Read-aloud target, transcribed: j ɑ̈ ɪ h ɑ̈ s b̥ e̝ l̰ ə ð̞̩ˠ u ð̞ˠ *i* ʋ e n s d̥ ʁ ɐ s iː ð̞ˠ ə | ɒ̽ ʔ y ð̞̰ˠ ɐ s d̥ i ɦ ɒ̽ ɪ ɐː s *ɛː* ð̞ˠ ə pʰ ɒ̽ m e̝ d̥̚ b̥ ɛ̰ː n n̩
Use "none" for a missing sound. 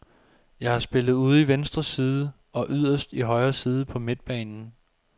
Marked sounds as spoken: i, iː

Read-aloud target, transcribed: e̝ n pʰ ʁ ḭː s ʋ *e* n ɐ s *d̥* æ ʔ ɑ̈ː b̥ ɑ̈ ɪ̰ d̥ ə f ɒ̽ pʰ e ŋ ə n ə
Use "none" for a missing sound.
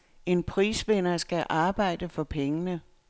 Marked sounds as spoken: e, ɡ̥

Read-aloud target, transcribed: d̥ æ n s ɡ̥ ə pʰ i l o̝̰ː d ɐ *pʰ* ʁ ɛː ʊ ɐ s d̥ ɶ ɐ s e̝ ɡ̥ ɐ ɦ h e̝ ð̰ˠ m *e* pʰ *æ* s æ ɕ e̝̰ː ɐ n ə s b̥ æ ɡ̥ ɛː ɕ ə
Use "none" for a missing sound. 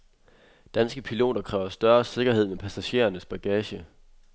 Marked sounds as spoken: kʰ, e, æ

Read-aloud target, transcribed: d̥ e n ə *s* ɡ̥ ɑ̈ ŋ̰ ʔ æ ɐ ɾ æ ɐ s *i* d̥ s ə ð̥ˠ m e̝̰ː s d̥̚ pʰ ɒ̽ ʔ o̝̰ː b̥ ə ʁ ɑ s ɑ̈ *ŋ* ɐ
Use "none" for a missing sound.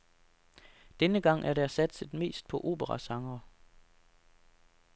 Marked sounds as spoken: none, æ, ŋ

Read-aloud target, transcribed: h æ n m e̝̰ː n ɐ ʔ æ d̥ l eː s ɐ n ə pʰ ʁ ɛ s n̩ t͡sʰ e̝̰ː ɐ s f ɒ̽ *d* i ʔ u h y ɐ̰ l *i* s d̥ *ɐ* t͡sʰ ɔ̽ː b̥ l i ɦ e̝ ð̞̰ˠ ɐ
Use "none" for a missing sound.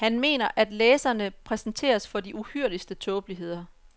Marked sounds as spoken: d, i, ə

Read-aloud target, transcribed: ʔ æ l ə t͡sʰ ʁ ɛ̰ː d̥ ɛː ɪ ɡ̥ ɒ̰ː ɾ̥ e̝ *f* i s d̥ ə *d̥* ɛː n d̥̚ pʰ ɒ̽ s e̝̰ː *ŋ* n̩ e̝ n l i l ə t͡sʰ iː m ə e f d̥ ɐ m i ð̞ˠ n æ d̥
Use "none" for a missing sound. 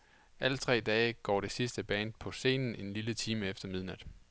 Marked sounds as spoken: s, b̥, n

